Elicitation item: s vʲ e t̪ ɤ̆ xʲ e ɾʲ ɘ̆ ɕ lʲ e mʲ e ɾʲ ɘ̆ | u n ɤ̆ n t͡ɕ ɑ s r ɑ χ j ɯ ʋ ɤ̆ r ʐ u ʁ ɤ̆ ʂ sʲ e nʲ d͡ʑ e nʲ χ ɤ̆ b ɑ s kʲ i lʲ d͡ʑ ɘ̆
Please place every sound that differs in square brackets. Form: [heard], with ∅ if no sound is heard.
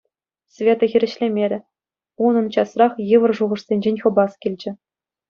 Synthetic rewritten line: s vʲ e t̪ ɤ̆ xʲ [i] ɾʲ ɘ̆ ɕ lʲ e mʲ e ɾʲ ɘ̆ | u n ɤ̆ n t͡ɕ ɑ s r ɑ χ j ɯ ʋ ɤ̆ r ʐ u ʁ ɤ̆ ʂ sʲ e nʲ d͡ʑ e nʲ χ ɤ̆ b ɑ s kʲ i lʲ d͡ʑ ɘ̆